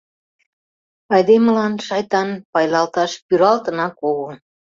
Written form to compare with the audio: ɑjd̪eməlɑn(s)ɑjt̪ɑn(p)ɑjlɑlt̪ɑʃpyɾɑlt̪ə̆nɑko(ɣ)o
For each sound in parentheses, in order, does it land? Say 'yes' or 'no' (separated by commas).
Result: no, yes, yes